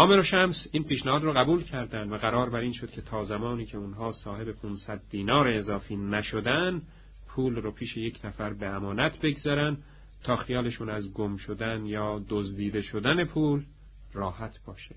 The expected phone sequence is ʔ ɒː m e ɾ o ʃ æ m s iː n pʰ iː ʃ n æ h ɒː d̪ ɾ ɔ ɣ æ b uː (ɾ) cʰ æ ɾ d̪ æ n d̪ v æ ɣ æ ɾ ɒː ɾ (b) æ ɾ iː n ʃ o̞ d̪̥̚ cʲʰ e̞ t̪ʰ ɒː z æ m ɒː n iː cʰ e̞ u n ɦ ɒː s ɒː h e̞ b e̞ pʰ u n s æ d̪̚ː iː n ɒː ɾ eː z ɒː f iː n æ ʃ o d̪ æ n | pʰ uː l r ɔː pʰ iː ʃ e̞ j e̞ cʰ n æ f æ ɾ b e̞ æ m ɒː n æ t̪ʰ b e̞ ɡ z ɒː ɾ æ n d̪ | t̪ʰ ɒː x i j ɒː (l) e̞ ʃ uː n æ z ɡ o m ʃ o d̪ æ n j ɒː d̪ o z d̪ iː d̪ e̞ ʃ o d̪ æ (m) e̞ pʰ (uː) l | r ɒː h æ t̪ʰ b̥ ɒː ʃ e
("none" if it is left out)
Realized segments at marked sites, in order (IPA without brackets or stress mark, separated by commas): l, b, l, n, uː